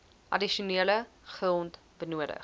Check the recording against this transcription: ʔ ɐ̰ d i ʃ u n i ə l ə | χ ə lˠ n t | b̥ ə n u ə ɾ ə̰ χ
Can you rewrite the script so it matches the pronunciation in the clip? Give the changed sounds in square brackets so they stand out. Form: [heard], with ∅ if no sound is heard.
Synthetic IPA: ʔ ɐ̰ d i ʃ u n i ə l ə | χ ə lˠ n t | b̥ ə n u ə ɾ ə̰ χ